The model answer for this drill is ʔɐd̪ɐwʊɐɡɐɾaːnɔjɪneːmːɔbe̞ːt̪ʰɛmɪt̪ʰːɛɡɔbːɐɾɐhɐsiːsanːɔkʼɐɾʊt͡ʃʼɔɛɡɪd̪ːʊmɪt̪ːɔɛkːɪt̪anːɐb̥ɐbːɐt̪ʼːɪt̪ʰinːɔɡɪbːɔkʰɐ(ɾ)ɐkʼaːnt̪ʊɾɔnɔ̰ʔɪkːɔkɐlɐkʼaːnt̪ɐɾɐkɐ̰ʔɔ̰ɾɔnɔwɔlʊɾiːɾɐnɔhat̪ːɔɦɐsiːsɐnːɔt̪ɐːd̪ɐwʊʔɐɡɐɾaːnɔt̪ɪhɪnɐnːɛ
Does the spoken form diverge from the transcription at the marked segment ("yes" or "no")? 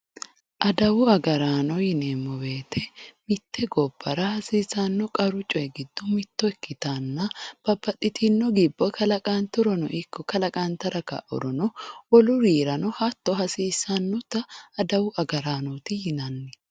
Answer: yes